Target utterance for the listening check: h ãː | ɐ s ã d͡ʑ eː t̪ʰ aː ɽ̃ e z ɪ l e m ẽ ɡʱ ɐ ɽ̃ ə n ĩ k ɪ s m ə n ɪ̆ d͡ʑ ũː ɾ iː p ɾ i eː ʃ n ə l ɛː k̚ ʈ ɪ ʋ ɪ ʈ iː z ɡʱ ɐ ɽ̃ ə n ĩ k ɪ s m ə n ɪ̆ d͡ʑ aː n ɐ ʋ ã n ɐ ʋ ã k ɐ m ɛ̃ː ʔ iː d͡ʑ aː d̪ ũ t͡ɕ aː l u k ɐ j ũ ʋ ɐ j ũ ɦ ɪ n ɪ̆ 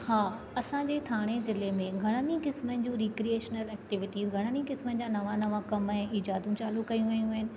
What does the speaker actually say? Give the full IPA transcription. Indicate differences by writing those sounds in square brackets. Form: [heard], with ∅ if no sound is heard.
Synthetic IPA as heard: h [aː] | ɐ s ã d͡ʑ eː t̪ʰ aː ɽ̃ e z ɪ l e m ẽ ɡʱ ɐ ɽ̃ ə n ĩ k ɪ s m ə n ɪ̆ d͡ʑ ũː ɾ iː [k] ɾ i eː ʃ n ə l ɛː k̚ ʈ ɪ ʋ ɪ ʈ iː z ɡʱ ɐ ɽ̃ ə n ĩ k ɪ s m ə n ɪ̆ d͡ʑ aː n ɐ ʋ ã n ɐ ʋ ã k ɐ m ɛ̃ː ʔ iː d͡ʑ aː d̪ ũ t͡ɕ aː l u k ɐ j ũ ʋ ɐ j ũ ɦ ɪ n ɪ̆